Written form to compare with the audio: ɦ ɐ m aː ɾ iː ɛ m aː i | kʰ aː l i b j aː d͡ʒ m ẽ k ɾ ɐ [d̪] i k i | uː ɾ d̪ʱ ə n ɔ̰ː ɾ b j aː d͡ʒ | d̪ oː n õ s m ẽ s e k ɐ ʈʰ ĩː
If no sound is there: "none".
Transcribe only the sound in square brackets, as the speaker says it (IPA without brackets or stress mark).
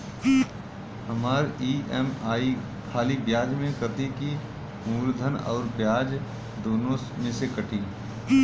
t̪